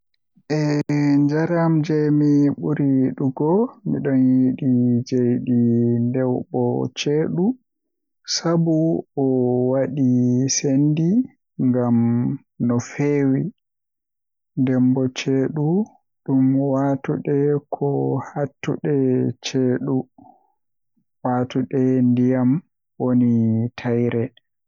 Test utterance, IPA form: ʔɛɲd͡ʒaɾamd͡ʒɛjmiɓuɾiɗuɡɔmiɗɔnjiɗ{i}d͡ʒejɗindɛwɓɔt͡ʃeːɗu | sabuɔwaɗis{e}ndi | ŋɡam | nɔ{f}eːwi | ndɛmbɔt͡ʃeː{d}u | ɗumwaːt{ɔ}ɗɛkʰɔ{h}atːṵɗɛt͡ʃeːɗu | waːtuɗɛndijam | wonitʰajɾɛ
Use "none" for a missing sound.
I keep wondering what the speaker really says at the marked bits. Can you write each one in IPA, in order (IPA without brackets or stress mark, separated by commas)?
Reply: i, e, f, ɗ, u, h